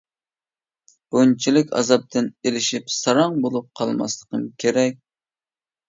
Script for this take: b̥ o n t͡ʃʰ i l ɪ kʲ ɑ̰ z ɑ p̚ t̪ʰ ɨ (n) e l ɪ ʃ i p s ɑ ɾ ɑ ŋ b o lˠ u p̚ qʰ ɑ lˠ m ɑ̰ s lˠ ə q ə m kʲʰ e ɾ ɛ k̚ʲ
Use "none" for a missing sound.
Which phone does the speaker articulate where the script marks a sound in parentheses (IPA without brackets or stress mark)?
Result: n